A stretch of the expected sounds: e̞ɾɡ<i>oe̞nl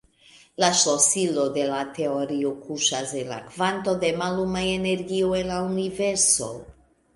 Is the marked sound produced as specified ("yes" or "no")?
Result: yes